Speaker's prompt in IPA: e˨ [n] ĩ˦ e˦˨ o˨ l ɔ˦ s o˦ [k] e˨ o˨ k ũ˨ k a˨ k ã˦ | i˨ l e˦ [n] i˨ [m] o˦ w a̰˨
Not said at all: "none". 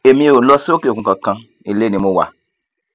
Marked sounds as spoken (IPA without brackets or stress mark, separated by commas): m, k, n, m